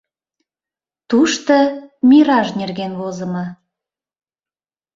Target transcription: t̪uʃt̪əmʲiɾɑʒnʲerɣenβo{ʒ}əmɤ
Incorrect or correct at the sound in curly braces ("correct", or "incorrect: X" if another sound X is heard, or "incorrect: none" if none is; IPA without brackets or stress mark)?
incorrect: z